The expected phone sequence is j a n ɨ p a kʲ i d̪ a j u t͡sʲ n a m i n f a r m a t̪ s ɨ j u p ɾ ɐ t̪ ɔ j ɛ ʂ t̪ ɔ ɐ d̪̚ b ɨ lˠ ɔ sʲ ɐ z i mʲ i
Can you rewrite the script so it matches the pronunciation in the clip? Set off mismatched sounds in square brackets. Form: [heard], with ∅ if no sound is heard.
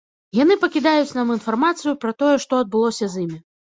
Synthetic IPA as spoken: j a n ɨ p [ɐ] kʲ i d̪ a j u t͡sʲ n a m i n f a r m a t̪ s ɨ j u p ɾ ɐ t̪ ɔ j ɛ ʂ t̪ ɔ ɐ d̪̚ b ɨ lˠ ɔ sʲ ɐ z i mʲ i